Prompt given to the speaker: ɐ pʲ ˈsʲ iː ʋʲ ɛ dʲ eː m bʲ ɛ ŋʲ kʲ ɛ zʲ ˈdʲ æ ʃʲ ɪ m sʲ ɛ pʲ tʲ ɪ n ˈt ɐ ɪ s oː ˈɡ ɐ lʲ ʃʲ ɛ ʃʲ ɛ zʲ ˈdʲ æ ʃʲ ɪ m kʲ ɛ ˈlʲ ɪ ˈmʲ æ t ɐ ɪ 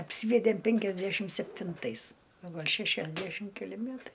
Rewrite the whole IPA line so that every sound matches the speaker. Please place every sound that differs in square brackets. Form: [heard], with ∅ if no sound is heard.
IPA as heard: ɐ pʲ ˈsʲ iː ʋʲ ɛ dʲ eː m [pʲ] ɛ ŋʲ kʲ ɛ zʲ ˈdʲ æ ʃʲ ɪ m sʲ ɛ pʲ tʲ ɪ n ˈt ɐ ɪ s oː ˈɡ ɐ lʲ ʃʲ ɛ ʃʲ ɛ zʲ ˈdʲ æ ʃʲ ɪ m kʲ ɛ ˈlʲ ɪ ˈmʲ æ t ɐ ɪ